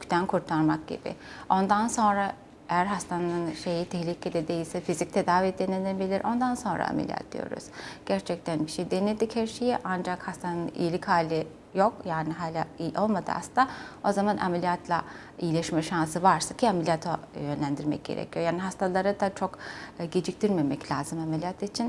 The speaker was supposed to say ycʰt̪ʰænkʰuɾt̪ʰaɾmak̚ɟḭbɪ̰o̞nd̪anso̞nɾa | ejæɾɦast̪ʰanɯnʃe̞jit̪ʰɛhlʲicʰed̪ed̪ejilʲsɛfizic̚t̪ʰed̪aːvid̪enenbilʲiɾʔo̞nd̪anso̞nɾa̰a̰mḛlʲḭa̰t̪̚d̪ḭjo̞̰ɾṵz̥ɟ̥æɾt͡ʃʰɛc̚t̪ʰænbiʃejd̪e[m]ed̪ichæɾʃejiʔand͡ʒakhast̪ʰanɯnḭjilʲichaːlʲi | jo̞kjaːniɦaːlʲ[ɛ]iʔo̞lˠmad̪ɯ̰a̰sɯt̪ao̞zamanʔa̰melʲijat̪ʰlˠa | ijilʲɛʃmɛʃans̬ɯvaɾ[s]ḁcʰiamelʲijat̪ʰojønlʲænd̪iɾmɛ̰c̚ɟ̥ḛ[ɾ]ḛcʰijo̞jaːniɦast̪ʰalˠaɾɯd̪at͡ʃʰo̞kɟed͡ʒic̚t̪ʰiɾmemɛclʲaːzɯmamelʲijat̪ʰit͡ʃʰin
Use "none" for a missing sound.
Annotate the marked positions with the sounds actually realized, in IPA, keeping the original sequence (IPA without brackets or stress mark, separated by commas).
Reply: n, a, s, ɾ